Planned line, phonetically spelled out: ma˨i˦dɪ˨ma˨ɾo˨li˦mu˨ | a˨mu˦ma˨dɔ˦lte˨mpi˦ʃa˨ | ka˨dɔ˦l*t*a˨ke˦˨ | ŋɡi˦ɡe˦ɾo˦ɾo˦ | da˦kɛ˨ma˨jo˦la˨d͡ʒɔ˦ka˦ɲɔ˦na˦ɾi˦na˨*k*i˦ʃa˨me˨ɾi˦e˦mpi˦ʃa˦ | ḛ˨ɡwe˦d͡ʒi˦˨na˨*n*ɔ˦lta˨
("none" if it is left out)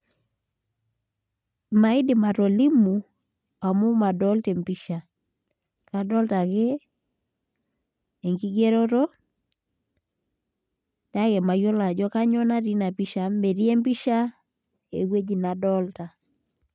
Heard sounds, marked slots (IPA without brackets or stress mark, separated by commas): t, p, d